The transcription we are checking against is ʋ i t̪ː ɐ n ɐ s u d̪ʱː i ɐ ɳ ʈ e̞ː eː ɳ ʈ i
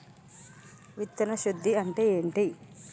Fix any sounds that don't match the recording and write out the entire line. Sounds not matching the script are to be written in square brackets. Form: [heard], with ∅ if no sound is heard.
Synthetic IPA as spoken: ʋ i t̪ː ɐ n ɐ [ʃ] u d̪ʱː i ɐ ɳ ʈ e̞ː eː ɳ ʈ i